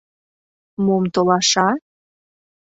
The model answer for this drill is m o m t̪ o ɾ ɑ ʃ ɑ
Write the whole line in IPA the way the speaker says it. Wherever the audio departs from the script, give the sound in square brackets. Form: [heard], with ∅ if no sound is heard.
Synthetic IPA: m o m t̪ o [l] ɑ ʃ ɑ